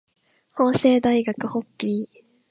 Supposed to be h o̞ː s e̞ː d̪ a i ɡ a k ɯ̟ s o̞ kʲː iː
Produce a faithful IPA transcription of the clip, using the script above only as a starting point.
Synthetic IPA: h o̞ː s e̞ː d̪ a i ɡ a k ɯ̟ h o̞ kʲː iː